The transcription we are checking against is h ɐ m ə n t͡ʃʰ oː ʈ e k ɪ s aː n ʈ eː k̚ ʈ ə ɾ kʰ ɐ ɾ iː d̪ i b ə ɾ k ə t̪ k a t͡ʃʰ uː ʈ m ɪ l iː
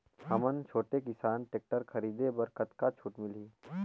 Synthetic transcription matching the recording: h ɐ m ə n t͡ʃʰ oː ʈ e k ɪ s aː n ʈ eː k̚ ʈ ə ɾ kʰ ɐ ɾ iː d̪ e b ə ɾ k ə t̪ k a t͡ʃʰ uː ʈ m ɪ l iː